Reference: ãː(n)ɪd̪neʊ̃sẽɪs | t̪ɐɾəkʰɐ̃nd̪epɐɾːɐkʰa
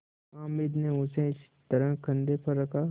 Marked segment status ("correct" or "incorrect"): incorrect